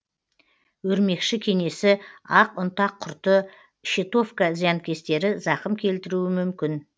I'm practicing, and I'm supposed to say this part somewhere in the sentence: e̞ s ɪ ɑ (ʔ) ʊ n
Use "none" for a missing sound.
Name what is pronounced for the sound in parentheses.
q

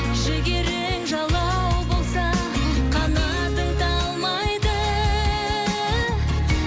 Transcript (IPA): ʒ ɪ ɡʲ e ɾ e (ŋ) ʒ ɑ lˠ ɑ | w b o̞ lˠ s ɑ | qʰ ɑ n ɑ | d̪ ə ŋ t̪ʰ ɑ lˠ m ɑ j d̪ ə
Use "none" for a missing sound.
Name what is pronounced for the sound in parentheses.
ŋ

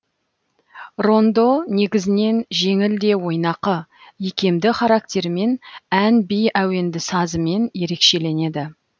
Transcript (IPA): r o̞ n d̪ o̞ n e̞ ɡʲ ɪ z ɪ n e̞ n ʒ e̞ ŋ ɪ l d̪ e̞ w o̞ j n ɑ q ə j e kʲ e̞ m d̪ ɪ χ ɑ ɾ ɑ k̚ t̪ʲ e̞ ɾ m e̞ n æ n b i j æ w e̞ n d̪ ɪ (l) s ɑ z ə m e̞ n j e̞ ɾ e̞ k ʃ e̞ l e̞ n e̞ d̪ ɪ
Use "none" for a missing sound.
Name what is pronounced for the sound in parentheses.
none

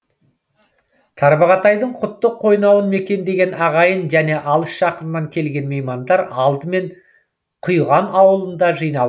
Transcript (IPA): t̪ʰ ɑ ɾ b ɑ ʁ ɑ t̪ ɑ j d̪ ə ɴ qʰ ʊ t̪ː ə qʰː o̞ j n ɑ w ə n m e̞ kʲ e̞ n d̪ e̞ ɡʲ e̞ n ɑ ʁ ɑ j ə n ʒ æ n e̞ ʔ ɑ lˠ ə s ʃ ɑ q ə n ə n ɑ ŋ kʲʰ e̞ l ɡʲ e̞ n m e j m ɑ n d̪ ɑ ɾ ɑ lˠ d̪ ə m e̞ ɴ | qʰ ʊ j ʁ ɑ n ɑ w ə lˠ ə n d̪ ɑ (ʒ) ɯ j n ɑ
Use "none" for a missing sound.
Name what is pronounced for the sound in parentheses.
ʒ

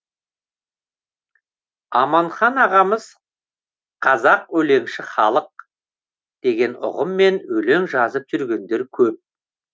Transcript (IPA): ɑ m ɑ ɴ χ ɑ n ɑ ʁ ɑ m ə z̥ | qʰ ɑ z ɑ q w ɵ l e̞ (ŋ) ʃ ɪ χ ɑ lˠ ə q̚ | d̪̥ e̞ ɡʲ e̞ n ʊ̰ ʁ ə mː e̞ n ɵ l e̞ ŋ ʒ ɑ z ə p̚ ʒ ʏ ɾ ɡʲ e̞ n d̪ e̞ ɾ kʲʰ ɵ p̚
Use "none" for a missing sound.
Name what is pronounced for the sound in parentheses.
ŋ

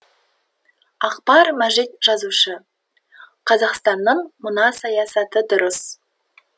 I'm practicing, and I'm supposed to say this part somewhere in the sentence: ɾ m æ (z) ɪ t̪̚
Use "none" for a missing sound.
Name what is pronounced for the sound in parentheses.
ʒ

